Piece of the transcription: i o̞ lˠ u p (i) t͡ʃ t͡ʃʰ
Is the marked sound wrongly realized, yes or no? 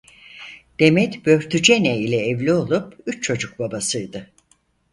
yes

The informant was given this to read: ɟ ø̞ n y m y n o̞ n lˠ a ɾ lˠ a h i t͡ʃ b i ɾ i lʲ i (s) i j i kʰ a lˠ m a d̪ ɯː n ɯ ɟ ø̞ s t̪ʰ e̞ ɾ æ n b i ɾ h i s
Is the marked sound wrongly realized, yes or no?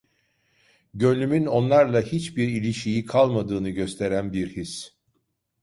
yes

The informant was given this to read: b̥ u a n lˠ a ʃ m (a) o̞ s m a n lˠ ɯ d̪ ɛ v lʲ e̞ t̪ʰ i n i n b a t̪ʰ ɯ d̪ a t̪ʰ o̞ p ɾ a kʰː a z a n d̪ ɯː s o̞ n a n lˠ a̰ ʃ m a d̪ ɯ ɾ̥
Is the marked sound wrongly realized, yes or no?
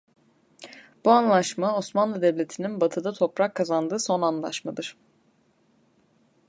no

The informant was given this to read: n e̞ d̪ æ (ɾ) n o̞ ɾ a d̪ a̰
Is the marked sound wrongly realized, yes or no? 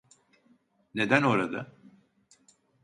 yes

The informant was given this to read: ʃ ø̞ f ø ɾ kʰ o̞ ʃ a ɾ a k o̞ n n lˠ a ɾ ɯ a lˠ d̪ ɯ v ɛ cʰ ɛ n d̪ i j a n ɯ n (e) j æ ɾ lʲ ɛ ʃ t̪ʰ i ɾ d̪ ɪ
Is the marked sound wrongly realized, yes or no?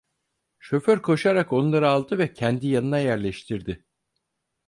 yes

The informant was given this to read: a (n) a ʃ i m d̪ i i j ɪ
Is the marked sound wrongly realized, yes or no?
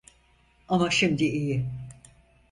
yes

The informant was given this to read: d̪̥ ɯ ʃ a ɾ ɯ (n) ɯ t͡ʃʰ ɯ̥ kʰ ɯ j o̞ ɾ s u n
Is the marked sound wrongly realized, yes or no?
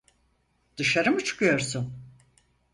yes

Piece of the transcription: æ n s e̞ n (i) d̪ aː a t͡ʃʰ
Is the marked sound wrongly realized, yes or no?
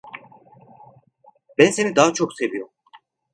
no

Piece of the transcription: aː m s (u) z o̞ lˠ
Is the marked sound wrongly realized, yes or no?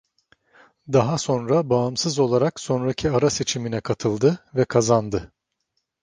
yes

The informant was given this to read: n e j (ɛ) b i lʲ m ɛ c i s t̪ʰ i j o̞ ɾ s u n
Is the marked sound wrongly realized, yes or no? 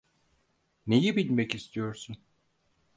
yes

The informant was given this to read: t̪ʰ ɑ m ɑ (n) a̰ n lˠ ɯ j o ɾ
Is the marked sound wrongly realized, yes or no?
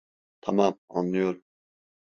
yes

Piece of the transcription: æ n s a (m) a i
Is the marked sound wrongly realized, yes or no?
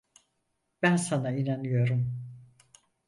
yes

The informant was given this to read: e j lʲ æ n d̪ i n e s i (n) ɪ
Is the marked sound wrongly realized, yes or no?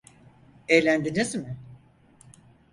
yes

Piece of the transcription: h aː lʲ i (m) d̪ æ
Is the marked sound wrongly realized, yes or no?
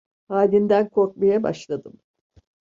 yes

